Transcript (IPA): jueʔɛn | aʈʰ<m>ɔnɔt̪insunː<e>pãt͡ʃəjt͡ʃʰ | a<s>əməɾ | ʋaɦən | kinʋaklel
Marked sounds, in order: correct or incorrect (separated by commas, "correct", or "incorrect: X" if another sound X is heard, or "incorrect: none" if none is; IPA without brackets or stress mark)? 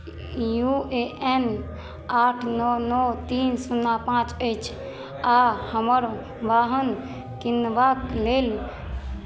incorrect: n, incorrect: a, incorrect: h